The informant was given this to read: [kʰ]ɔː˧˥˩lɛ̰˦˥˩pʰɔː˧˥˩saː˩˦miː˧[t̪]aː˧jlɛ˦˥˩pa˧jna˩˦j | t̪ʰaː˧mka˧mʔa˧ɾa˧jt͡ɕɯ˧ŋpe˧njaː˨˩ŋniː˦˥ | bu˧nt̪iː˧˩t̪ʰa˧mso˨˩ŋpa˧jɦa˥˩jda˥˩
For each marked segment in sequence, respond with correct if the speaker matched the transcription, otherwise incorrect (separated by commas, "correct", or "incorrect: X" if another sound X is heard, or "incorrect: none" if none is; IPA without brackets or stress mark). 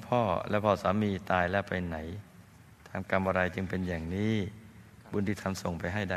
incorrect: pʰ, correct